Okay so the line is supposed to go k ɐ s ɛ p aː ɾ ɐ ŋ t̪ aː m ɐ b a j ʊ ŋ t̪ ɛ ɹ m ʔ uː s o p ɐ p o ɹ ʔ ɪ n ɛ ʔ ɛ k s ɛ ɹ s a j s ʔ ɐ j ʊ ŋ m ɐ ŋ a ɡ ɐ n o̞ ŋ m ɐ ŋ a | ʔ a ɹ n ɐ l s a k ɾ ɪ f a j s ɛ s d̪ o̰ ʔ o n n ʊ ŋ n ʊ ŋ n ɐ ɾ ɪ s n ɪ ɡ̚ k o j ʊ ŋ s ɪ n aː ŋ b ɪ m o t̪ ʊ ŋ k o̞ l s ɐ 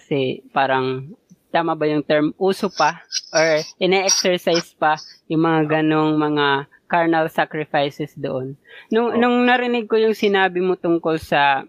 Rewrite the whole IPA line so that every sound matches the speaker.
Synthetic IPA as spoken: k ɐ s ɛ p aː ɾ ɐ ŋ t̪ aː m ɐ b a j ʊ ŋ t̪ ɛ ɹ m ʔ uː s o p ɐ ʔ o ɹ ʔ ɪ n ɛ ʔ ɛ k s ɛ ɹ s a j s p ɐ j ʊ ŋ m ɐ ŋ a ɡ ɐ n o̞ ŋ m ɐ ŋ a | k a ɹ n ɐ l s a k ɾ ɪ f a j s ɛ s d̪ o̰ ʔ o n n ʊ ŋ n ʊ ŋ n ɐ ɾ ɪ n ɪ ɡ̚ k o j ʊ ŋ s ɪ n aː b ɪ m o t̪ ʊ ŋ k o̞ l s ɐ